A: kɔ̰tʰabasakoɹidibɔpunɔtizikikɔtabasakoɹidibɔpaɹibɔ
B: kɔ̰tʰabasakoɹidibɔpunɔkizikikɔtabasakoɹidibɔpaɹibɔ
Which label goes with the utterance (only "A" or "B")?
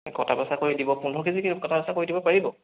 B